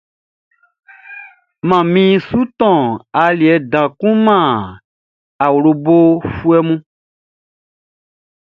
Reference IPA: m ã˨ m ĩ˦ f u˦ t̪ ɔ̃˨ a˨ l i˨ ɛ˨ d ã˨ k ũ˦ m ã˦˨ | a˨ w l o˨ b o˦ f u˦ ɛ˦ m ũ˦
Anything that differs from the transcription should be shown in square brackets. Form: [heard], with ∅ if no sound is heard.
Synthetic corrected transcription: m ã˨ m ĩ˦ [s] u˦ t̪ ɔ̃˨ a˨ l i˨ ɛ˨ d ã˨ k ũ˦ m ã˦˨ | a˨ w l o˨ b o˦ f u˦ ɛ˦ m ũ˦